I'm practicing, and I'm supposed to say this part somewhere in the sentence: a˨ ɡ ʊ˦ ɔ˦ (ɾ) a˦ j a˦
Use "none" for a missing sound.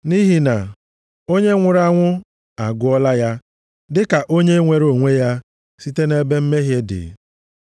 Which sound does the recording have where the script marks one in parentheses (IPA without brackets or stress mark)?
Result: l